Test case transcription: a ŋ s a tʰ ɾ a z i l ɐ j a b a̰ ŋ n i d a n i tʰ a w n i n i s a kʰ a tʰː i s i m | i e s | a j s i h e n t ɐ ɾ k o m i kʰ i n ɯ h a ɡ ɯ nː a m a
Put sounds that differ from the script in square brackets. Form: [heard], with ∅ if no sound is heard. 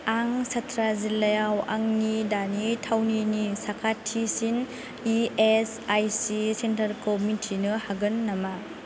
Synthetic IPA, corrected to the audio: a ŋ s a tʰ ɾ a z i l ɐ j a [w] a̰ ŋ n i d a n i tʰ a w n i n i s a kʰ a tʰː i s i [n] | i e s | a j s i [s] e n t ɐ ɾ k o m i [tʰ] i n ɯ h a ɡ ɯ nː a m a